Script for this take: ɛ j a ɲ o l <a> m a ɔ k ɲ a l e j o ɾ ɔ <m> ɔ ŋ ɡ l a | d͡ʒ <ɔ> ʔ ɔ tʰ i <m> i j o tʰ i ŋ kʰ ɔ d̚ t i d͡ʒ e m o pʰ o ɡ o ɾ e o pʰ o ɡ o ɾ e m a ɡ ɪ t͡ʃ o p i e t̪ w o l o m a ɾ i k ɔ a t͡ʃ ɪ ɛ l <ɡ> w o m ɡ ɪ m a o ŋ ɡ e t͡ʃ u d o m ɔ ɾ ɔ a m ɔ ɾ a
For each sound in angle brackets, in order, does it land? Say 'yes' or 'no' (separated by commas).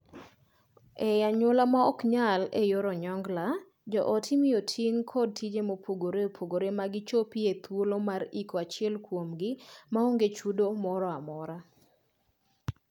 yes, no, yes, yes, no